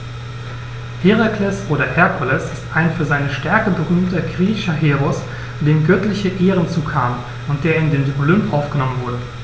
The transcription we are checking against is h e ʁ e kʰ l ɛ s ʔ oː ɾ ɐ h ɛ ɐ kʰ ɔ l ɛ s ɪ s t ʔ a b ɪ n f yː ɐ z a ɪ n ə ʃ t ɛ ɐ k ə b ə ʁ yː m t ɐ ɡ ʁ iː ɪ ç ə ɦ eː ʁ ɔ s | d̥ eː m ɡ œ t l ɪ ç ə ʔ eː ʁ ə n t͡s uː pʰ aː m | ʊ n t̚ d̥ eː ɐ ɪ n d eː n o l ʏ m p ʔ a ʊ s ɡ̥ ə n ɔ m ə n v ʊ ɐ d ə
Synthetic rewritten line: h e ʁ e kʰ l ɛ s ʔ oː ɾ ɐ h ɛ ɐ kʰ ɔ l ɛ s ɪ s t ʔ a ɪ n f yː ɐ z a ɪ n ə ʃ t ɛ ɐ k ə b ə ʁ yː m t ɐ ɡ ʁ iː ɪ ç ɐ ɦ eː ʁ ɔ s | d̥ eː m ɡ œ t l ɪ ç ə ʔ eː ʁ ə n t͡s uː kʰ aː m | ʊ n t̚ d̥ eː ɐ ɪ n d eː n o l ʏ m p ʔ a ʊ f ɡ̥ ə n ɔ m ə n v ʊ ɐ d ə

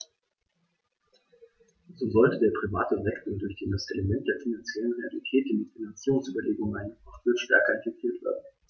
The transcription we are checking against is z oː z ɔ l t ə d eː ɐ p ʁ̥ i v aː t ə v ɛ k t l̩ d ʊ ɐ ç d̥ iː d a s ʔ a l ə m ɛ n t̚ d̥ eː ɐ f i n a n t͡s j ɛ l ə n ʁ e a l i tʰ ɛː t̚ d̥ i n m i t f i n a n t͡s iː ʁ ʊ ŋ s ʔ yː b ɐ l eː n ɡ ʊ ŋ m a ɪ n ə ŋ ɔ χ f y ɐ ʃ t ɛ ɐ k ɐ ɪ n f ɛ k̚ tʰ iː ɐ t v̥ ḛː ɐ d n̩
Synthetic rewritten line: z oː z ɔ l t ə d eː ɐ p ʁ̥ i v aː t ə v ɛ k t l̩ d ʊ ɐ ç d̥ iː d a s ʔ e l ə m ɛ n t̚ d̥ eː ɐ f i n a n t͡s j ɛ l ə n ʁ e a l i tʰ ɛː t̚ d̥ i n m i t f i n a n t͡s iː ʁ ʊ ŋ s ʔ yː b ɐ l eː ɡ ʊ ŋ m a ɪ n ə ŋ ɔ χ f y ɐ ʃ t ɛ ɐ k ɐ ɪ n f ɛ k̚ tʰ iː ɐ t v̥ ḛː ɐ d n̩

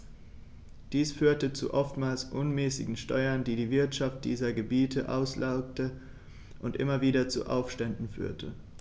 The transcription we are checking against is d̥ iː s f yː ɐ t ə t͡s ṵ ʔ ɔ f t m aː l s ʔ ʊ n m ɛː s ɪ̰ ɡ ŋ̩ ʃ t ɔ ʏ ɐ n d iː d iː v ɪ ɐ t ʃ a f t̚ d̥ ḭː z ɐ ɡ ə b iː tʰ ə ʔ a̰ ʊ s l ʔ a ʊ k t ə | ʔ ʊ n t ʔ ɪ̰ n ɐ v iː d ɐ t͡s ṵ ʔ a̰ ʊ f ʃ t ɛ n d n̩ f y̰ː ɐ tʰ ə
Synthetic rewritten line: d̥ iː s f yː ɐ t ə t͡s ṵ ʔ ɔ f t m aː l s ʔ ʊ n m ɛː s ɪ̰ ɡ ŋ̩ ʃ t ɔ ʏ ɐ n d iː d iː v ɪ ɐ t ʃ a f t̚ d̥ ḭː z ɐ ɡ ə b iː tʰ ə ʔ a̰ ʊ s l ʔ a ʊ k t ə | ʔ ʊ n t ʔ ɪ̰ m ɐ v iː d ɐ t͡s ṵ ʔ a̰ ʊ f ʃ t ɛ n d n̩ f y̰ː ɐ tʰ ə

